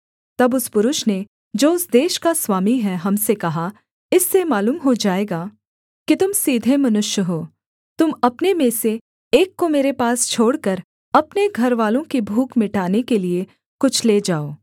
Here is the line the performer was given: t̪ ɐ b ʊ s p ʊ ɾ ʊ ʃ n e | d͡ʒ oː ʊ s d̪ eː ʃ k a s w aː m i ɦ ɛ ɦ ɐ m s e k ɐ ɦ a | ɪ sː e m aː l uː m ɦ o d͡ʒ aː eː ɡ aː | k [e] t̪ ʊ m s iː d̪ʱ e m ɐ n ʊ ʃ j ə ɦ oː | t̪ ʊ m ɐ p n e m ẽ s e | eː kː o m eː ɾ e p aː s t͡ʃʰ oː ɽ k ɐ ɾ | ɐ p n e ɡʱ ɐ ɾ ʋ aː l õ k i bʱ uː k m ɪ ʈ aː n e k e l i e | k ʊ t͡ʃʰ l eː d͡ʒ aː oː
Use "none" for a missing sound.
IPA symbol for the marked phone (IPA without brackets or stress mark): i